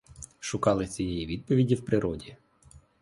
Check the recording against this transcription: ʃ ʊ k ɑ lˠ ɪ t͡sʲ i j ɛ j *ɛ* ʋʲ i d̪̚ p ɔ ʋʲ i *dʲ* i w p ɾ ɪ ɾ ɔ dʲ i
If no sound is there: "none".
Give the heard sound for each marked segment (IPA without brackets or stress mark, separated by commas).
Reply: i, dʲ